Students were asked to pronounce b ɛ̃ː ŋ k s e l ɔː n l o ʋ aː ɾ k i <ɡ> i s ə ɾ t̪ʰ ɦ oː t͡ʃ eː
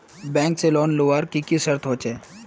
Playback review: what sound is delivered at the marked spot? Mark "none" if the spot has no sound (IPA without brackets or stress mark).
k